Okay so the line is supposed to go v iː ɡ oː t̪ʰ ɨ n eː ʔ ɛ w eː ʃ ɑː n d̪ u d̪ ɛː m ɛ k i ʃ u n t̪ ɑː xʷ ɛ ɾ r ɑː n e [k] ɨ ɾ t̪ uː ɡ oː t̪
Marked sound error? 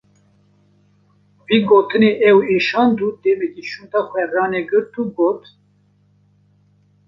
yes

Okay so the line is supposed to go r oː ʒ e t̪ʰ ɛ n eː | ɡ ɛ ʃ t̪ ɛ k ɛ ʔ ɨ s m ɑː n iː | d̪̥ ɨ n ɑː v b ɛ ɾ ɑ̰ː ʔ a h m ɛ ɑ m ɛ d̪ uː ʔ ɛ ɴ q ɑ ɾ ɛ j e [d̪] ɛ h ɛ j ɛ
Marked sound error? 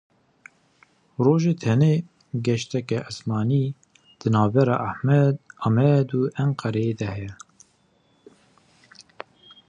no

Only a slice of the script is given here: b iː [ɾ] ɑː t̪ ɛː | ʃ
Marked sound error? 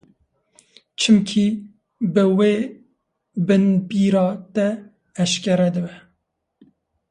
no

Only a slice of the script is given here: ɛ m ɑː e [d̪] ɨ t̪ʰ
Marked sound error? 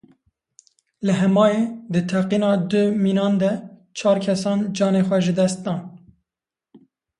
no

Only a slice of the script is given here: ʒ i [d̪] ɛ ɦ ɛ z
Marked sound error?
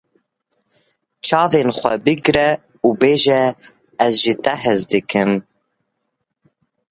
yes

